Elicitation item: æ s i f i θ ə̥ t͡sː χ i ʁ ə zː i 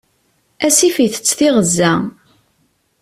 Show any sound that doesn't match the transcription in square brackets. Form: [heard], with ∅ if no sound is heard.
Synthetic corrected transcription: æ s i f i θ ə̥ t͡sː [θ] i ʁ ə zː [æ]